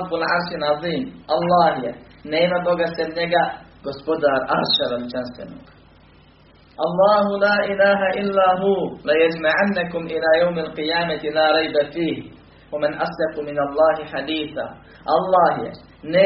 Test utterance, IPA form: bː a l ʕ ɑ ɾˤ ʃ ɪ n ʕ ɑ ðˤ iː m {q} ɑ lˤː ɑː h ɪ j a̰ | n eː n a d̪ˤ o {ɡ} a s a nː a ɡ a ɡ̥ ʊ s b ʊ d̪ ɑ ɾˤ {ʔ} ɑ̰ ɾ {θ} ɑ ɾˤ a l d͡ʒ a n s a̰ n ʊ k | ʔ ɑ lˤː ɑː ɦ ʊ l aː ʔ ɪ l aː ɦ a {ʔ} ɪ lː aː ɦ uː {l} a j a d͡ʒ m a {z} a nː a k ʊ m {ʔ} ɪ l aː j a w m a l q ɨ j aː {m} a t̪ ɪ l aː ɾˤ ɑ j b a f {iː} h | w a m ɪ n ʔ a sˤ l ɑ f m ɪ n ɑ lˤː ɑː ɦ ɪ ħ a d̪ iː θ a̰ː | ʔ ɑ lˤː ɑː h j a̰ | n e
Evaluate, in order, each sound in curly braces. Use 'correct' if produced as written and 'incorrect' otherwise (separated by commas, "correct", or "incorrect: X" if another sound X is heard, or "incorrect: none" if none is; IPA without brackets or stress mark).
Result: incorrect: ʔ, correct, correct, incorrect: ʃ, correct, correct, incorrect: ʕ, correct, correct, correct